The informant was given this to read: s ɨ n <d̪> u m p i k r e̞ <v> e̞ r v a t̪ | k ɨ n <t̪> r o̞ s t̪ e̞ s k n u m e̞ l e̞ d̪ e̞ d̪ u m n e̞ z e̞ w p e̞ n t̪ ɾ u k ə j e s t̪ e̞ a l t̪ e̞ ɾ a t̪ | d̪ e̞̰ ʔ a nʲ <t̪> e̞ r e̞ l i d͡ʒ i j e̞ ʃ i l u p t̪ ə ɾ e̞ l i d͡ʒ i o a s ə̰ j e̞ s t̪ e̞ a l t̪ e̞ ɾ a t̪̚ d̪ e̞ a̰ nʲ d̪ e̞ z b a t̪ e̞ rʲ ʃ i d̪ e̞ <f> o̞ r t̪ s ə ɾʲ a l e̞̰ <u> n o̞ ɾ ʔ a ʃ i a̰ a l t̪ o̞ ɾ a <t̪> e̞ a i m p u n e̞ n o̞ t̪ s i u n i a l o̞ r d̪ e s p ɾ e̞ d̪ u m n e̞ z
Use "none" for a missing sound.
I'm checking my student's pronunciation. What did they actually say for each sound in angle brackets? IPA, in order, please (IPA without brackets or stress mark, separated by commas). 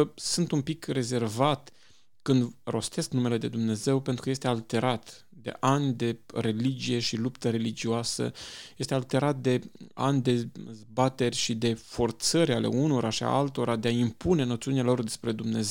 t̪, z, d̪, d̪, f, u, d̪